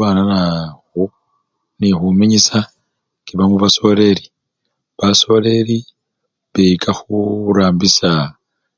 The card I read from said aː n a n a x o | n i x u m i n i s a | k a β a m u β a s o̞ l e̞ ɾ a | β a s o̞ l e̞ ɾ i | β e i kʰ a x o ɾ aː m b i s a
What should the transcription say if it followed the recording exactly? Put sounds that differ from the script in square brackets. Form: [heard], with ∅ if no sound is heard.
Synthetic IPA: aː n a n a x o | n i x u m i [ɲ] i s a | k [i] β a m u β a s o̞ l e̞ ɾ [i] | β a s o̞ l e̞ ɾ i | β e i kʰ a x [u] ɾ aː m b i s a